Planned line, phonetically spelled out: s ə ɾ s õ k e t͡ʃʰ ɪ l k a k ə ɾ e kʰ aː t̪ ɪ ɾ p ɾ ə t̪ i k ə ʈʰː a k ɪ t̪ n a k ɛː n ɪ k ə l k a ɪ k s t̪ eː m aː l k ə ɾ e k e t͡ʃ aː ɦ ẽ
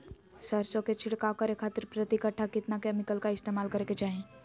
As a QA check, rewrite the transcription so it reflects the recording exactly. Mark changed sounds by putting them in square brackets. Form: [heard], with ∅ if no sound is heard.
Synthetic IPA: s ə ɾ s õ k e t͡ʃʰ ɪ [ɽ] k a k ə ɾ e kʰ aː t̪ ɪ ɾ p ɾ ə t̪ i k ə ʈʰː a k ɪ t̪ n a k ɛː [m] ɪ k ə l k a ɪ [∅] s t̪ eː m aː l k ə ɾ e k e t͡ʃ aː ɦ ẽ